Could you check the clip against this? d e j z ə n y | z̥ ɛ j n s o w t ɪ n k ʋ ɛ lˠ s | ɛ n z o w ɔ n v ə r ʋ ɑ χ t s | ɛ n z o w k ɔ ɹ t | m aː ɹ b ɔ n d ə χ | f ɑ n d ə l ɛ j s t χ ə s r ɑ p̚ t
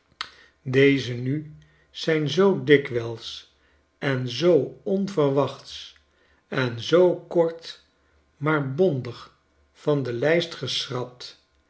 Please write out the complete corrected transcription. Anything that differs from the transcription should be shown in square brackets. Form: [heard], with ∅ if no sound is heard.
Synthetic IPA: d e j z ə n y | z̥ ɛ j n [z] o w [d] ɪ [∅] k ʋ ɛ lˠ s | ɛ n z o w ɔ n v ə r ʋ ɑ χ t s | ɛ n z o w k ɔ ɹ t | m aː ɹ b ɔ n d ə χ | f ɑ n d ə l ɛ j s t χ ə s r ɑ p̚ t